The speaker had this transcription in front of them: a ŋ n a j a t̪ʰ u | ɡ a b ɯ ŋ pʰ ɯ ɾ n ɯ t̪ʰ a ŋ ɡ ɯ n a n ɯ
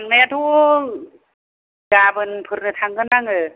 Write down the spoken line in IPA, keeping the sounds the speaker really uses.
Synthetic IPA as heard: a ŋ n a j a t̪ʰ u | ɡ a b ɯ n pʰ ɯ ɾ n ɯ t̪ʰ a ŋ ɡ ɯ n a ŋ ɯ